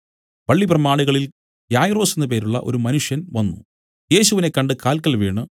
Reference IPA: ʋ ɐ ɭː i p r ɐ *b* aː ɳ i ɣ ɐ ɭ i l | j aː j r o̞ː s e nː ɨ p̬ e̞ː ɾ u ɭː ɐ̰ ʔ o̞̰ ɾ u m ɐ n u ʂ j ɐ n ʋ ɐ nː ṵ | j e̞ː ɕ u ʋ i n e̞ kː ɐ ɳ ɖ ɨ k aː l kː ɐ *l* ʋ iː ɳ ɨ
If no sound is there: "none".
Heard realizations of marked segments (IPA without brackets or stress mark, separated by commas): m, l